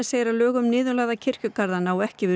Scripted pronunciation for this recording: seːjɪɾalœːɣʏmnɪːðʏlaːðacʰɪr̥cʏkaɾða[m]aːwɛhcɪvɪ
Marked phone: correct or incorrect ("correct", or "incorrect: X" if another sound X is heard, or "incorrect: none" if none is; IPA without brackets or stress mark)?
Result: incorrect: n